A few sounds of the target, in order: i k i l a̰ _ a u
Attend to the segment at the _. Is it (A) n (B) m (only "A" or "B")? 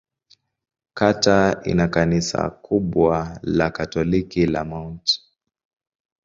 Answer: B